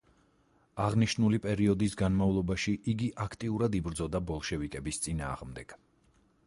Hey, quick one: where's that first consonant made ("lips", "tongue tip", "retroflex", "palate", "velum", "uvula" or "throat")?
uvula